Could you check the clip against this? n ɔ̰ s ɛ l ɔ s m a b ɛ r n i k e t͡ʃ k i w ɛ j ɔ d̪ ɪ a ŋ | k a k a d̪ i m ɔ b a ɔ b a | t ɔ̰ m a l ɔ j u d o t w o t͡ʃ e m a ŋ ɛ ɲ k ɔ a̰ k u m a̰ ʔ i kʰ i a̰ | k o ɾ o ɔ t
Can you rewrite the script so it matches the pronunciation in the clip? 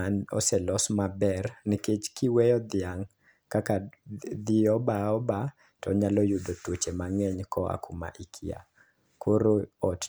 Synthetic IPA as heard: n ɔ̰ s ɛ l ɔ s m a b ɛ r n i k e t͡ʃ k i w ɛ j ɔ d̪ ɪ a ŋ | k a k a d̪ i ɔ b a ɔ b a | t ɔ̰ ɲ a l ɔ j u d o t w o t͡ʃ e m a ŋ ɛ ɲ k ɔ a̰ k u m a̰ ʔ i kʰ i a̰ | k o ɾ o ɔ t